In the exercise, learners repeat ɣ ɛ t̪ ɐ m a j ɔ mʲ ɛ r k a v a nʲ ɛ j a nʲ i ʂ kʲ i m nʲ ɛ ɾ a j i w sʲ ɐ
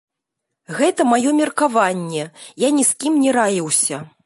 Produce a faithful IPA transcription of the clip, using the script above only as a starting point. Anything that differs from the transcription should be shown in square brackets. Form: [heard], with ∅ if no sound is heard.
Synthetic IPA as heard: ɣ ɛ t̪ ɐ m a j ɔ mʲ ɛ r k a v a [nʲː] ɛ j a nʲ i [s] kʲ i m nʲ ɛ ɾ a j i w sʲ ɐ

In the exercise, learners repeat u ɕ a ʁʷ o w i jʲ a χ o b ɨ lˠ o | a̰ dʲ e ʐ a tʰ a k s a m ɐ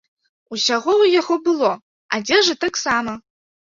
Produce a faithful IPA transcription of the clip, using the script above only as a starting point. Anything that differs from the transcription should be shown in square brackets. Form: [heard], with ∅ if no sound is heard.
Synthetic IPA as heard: u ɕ a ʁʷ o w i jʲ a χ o b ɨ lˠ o | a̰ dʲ e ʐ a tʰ a k s a m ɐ

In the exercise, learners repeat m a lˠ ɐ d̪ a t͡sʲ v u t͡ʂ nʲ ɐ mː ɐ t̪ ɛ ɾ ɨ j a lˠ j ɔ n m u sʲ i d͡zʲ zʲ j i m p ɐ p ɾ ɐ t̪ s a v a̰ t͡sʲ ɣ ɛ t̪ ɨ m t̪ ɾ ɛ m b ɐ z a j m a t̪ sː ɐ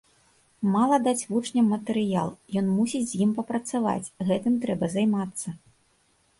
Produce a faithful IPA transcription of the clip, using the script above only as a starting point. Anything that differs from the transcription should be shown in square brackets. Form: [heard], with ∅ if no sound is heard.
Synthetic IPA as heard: m a lˠ ɐ d̪ a t͡sʲ v u t͡ʂ nʲ ɐ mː ɐ t̪ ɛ ɾ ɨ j a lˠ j ɔ n m u sʲ i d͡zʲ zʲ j i m p ɐ p ɾ ɐ t̪ s a v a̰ t͡sʲ ɣ ɛ t̪ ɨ m t̪ ɾ ɛ [∅] b ɐ z a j m a t̪ sː ɐ

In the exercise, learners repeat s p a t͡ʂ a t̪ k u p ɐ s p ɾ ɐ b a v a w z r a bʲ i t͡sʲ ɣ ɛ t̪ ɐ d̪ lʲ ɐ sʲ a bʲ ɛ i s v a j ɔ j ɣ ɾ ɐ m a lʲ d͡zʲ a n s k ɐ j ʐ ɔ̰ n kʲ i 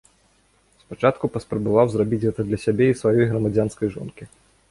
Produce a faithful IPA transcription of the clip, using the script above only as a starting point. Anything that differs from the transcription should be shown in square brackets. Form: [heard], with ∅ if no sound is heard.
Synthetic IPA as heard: s p a t͡ʂ a t̪ k u p ɐ s p ɾ ɐ b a v a w z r a bʲ i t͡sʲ ɣ ɛ t̪ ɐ d̪ lʲ ɐ sʲ a bʲ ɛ i s v a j ɔ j ɣ ɾ ɐ m a [∅] d͡zʲ a n s k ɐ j ʐ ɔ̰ n kʲ i

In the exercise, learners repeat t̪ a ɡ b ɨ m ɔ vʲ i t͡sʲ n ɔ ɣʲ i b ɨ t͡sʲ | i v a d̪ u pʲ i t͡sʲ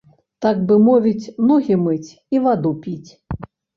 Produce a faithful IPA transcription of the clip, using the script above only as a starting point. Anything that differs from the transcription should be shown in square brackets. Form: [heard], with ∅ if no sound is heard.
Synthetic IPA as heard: t̪ a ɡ b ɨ m ɔ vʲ i t͡sʲ n ɔ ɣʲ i [m] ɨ t͡sʲ | i v a d̪ u pʲ i t͡sʲ

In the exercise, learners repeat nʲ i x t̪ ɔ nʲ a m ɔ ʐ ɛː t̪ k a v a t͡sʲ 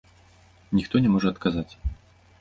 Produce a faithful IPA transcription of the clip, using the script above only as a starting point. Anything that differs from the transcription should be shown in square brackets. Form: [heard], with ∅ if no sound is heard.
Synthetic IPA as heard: nʲ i x t̪ ɔ nʲ [ɛ] m ɔ ʐ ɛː t̪ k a [z] a t͡sʲ

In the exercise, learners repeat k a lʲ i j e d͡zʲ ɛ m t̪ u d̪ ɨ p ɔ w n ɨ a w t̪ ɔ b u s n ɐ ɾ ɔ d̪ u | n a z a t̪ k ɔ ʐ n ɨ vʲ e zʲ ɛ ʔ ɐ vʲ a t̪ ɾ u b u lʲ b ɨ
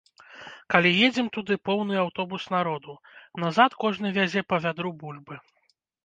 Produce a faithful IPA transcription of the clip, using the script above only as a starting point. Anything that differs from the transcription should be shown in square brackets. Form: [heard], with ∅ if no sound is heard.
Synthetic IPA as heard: k a lʲ i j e d͡zʲ ɛ m t̪ u d̪ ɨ p ɔ w n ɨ a w t̪ ɔ b u s n [a] ɾ ɔ d̪ u | n a z a t̪ k ɔ ʐ n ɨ vʲ [a] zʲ ɛ [p] ɐ vʲ a [d̪] ɾ u b u lʲ b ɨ

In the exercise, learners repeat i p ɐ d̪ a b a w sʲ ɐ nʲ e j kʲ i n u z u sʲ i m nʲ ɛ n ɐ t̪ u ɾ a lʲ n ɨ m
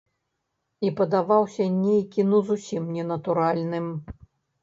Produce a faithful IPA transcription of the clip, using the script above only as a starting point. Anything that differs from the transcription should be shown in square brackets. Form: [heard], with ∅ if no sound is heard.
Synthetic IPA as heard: i p ɐ d̪ a [v] a w sʲ ɐ nʲ e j kʲ i n u z u sʲ i m nʲ ɛ n ɐ t̪ u ɾ a lʲ n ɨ m

